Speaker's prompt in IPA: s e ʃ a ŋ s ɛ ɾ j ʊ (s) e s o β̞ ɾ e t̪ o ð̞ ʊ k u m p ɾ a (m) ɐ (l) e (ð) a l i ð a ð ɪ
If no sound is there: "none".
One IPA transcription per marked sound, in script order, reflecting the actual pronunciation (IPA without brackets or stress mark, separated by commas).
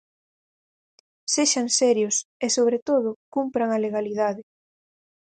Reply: s, ŋ, l, ɣ